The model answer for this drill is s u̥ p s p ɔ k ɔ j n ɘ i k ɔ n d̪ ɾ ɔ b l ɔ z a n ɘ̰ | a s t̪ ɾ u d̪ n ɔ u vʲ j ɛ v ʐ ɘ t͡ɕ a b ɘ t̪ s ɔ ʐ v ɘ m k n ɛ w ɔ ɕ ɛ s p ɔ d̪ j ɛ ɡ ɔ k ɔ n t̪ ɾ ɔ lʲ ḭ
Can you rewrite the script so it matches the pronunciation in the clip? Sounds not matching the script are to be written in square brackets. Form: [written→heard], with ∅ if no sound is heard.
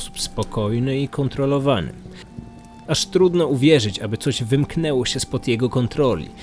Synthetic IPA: s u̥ p s p ɔ k ɔ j n ɘ i k ɔ n [d̪→t̪] ɾ ɔ [b→∅] l ɔ [z→v] a n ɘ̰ | a [s→ʂ] t̪ ɾ u d̪ n ɔ u vʲ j ɛ [v→∅] ʐ ɘ t͡ɕ a b ɘ t̪ s ɔ [ʐ→ʑ] v ɘ m k n ɛ w ɔ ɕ ɛ s p ɔ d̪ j ɛ ɡ ɔ k ɔ n t̪ ɾ ɔ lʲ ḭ